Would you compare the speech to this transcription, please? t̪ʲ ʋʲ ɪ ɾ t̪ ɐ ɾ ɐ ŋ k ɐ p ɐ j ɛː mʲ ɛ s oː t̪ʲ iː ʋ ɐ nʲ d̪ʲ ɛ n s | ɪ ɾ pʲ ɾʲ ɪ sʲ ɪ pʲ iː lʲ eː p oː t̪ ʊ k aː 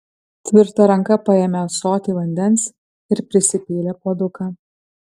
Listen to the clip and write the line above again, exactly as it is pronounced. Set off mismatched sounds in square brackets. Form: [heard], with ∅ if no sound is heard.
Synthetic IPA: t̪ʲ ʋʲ ɪ ɾ t̪ ɐ ɾ ɐ ŋ k ɐ p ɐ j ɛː mʲ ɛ s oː t̪ʲ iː ʋ ɐ nʲ d̪ʲ ɛ n s | ɪ ɾ pʲ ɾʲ ɪ sʲ ɪ pʲ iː lʲ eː p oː [d̪] ʊ k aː